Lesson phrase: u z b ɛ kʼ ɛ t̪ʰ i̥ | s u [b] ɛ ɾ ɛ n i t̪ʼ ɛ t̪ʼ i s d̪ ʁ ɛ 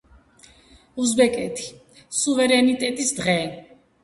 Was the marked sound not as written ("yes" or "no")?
yes